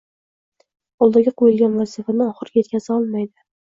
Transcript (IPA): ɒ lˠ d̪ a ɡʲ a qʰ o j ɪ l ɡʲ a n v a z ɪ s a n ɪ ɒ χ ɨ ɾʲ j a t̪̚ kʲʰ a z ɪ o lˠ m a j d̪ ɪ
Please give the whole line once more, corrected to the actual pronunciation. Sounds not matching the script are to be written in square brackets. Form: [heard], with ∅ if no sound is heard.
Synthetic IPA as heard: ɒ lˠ d̪ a ɡʲ a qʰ o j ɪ l ɡʲ a n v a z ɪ [f] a n ɪ ɒ χ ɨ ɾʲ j [e] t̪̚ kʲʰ a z ɪ [ɒ] lˠ m a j d̪ ɪ